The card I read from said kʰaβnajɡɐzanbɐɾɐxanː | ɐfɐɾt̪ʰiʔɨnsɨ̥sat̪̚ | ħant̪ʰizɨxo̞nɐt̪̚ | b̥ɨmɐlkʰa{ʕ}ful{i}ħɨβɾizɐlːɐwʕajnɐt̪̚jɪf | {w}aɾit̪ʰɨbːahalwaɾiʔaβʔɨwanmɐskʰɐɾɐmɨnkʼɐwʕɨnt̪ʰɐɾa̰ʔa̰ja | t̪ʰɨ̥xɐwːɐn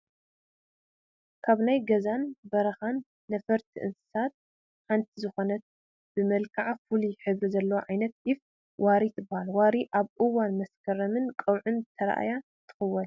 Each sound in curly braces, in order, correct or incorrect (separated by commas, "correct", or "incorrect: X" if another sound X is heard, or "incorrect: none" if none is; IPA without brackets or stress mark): correct, correct, correct